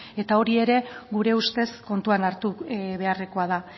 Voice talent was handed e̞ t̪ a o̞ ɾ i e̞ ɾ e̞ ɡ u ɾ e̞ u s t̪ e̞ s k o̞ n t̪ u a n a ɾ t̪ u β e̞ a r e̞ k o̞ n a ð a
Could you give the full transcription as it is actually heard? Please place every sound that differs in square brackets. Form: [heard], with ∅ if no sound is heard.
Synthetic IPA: e̞ t̪ a o̞ ɾ i e̞ ɾ e̞ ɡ u ɾ e̞ u s t̪ e̞ s k o̞ n t̪ u a n a ɾ t̪ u β e̞ a r e̞ k o̞ [∅] a ð a